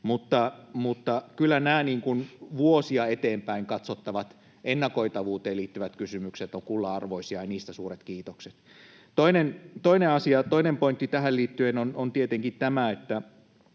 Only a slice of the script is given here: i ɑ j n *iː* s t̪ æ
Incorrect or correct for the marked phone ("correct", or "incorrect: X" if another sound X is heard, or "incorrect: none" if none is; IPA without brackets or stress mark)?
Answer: correct